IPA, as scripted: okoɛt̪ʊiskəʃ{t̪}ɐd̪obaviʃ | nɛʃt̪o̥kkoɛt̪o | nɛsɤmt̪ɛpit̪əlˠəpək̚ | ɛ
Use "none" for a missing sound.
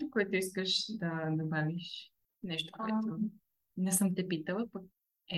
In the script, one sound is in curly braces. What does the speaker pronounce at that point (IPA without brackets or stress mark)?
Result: d̪